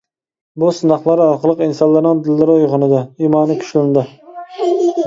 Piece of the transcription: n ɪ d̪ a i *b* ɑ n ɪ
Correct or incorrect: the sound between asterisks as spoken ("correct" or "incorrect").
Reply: incorrect